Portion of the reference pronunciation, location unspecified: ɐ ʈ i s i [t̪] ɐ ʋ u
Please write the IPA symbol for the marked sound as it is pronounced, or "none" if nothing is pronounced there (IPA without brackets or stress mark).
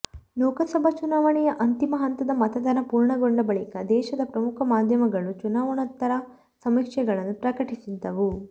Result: d̪